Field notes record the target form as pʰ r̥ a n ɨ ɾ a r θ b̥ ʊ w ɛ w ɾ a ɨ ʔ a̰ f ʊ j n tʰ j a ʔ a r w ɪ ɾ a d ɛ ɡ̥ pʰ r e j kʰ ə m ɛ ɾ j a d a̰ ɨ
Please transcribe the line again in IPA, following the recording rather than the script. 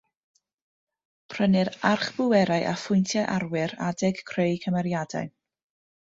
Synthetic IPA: pʰ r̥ ə n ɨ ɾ a r χ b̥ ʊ w ɛ ɾ a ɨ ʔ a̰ f ʊ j n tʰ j a ʔ a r w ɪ ɾ a d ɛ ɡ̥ kʰ r e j kʰ ə m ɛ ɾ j a d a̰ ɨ